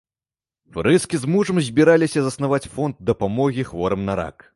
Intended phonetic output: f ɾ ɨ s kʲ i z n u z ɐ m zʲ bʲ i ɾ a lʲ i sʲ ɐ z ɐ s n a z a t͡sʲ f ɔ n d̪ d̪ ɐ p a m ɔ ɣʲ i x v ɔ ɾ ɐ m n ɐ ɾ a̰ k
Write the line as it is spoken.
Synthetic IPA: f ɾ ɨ s kʲ i z m u ʐ ɐ m zʲ bʲ i ɾ a lʲ i sʲ ɐ z ɐ s n a v a t͡sʲ f ɔ n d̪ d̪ ɐ p a m ɔ ɣʲ i x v ɔ ɾ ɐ m n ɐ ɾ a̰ k

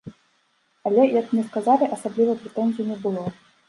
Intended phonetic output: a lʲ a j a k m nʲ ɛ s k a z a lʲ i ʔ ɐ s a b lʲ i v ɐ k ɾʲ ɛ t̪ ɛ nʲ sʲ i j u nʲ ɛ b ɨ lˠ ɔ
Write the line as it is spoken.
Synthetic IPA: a lʲ ɛ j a k m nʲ ɛ s k a z a lʲ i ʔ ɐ s a b lʲ i v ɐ p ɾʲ ɛ t̪ ɛ nʲ zʲ i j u nʲ ɛ b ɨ lˠ ɔ

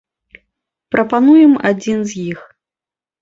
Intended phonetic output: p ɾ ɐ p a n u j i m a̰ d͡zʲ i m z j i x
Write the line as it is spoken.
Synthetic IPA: p ɾ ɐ p a n u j ɛ m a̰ d͡zʲ i n z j i x

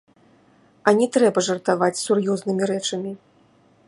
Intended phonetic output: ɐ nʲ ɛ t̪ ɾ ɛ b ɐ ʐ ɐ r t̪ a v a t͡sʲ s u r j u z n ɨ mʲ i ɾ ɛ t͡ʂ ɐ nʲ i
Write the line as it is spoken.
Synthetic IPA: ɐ nʲ ɛ t̪ ɾ ɛ b ɐ ʐ ɐ r t̪ a v a t͡sʲ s u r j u z n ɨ mʲ i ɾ ɛ t͡ʂ ɐ mʲ i

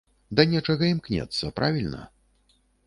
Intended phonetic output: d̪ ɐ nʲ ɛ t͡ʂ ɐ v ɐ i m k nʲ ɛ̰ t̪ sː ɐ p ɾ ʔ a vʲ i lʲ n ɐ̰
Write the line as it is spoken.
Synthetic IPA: d̪ ɐ nʲ ɛ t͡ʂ ɐ ɣ ɐ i m k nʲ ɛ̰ t̪ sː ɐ p ɾ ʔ a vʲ i lʲ n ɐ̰

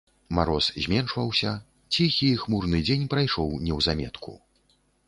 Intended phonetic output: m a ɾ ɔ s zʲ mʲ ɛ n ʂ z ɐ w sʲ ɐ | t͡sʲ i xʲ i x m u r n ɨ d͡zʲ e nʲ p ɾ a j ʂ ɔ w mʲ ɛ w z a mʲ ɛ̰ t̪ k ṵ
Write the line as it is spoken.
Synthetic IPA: m a ɾ ɔ s zʲ mʲ ɛ n ʂ v ɐ w sʲ ɐ | t͡sʲ i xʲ i x m u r n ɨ d͡zʲ e nʲ p ɾ a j ʂ ɔ w nʲ ɛ w z a mʲ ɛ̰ t̪ k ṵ

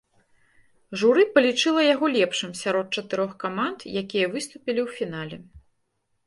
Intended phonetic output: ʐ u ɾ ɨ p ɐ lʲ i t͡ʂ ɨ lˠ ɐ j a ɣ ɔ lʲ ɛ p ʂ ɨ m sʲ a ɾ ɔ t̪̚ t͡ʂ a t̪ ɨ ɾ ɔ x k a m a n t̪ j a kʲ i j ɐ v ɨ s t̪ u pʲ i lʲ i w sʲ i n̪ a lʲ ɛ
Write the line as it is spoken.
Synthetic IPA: ʐ u ɾ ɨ p ɐ lʲ i t͡ʂ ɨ lˠ ɐ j a ɣ ɔ lʲ ɛ p ʂ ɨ m sʲ a ɾ ɔ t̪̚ t͡ʂ ɐ t̪ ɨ ɾ ɔ x k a m a n t̪ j a kʲ i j ɐ v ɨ s t̪ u pʲ i lʲ i w fʲ i n̪ a lʲ ɛ

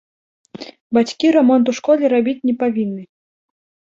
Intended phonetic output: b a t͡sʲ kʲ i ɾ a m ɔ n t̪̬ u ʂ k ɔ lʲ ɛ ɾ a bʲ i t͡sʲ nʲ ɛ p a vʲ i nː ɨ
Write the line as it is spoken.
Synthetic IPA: b a t͡sʲ kʲ i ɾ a m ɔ n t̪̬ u ʂ k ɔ lʲ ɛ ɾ a bʲ i t͡sʲ nʲ ɛ p a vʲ i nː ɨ

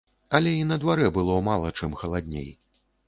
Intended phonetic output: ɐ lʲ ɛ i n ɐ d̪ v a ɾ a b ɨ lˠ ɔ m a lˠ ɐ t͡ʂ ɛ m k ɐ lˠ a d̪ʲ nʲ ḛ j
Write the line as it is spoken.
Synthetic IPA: ɐ lʲ ɛ i n ɐ d̪ v a ɾ ɛ b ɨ lˠ ɔ m a lˠ ɐ t͡ʂ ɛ m x ɐ lˠ a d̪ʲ nʲ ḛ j

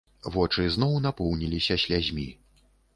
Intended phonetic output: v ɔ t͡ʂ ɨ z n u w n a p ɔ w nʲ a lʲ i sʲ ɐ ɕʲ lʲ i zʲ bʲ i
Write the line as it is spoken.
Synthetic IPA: v ɔ t͡ʂ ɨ z n ɔ w n a p ɔ w nʲ i lʲ i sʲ ɐ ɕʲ lʲ a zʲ mʲ i

